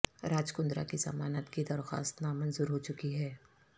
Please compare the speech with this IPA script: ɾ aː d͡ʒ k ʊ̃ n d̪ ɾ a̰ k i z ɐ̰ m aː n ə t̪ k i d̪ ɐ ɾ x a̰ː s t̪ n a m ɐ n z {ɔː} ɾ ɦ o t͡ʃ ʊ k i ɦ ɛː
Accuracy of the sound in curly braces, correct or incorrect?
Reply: incorrect